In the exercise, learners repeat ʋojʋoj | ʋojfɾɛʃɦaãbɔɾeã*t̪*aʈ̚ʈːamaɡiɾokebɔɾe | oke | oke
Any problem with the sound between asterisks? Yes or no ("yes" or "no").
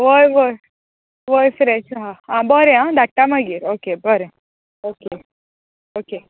yes